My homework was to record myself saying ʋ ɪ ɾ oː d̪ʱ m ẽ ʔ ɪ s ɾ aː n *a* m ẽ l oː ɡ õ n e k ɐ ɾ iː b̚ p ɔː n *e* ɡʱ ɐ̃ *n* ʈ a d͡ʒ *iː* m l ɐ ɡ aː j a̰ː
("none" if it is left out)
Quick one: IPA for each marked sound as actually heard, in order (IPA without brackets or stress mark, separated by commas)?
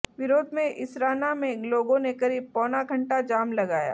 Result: a, a, ɳ, aː